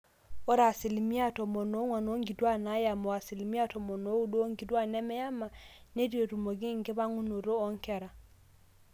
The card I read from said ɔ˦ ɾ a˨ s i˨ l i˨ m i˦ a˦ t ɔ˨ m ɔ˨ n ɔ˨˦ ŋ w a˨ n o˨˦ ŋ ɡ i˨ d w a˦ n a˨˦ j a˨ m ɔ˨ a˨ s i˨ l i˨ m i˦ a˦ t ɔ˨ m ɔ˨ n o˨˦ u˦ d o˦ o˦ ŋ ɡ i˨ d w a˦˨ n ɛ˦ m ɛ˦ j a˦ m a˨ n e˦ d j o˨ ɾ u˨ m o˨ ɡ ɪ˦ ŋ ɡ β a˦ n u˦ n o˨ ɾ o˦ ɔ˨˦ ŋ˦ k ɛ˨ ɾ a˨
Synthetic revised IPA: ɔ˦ ɾ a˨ s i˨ l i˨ m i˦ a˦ t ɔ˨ m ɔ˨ n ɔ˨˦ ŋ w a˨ n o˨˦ ŋ ɡ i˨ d w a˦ n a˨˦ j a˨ m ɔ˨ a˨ s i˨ l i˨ m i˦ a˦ t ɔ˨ m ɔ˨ n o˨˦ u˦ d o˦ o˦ ŋ ɡ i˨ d w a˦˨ n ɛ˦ m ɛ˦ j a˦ m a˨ n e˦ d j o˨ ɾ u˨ m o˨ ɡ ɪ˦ ŋ ɡ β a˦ ŋ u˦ n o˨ ɾ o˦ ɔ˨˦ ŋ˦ k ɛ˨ ɾ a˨